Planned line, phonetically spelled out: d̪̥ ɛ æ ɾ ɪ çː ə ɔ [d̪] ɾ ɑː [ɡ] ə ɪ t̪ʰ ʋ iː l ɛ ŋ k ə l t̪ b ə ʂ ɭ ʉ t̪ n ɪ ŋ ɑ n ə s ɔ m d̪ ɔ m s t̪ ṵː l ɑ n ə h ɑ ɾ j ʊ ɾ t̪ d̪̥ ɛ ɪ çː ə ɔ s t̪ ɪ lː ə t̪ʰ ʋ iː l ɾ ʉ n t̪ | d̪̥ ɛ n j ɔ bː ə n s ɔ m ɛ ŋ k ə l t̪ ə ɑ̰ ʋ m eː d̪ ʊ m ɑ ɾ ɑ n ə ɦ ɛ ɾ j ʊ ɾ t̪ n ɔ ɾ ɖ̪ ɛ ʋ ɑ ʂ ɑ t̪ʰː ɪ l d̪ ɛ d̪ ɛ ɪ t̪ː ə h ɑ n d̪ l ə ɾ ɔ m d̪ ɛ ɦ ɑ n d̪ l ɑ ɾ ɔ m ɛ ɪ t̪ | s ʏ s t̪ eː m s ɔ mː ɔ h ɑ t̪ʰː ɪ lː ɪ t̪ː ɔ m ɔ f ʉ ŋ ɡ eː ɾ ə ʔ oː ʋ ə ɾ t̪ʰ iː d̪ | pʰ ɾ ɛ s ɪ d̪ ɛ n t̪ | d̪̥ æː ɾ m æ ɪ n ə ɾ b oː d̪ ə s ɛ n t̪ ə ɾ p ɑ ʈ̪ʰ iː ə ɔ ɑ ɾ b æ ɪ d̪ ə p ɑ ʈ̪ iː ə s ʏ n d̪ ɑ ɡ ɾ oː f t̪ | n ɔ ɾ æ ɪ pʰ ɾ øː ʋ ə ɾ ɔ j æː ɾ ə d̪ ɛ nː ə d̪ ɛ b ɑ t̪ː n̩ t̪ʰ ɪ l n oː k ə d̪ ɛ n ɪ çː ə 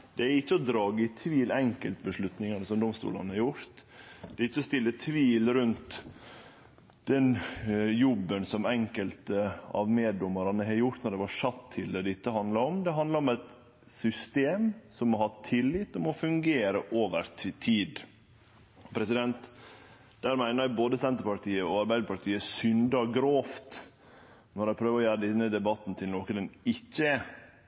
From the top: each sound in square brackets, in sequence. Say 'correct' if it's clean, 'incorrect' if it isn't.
correct, correct

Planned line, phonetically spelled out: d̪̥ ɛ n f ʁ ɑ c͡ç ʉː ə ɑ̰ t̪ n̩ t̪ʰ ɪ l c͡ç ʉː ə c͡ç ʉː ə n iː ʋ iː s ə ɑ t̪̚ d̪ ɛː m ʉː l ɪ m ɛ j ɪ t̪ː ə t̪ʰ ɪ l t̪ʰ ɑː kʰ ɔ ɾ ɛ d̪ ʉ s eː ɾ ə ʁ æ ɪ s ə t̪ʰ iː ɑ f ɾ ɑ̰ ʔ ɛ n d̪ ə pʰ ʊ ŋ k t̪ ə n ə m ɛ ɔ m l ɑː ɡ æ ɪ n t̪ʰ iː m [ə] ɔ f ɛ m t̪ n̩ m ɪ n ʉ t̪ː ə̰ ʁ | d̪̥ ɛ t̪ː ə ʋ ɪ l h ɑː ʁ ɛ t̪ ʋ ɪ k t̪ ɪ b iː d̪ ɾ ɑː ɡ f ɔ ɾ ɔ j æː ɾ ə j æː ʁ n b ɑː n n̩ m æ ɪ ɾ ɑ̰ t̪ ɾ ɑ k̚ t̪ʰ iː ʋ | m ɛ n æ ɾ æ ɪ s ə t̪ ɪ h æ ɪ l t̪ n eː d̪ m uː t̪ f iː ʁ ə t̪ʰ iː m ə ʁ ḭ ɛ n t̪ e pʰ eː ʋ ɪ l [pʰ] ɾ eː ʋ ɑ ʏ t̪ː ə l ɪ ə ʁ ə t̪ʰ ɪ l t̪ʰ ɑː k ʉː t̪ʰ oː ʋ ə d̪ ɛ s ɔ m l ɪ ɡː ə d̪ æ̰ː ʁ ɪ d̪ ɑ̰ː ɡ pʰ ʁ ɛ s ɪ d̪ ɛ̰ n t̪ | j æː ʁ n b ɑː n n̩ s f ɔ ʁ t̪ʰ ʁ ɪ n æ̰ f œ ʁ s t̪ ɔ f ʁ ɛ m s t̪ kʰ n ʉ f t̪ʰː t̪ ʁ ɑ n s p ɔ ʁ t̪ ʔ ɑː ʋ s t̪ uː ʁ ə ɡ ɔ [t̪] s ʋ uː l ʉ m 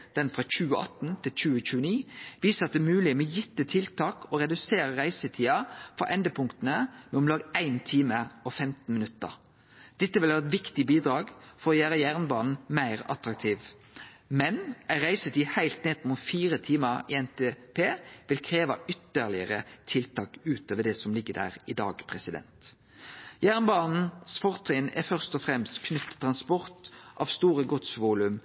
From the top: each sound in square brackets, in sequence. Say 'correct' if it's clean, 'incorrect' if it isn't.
correct, incorrect, correct

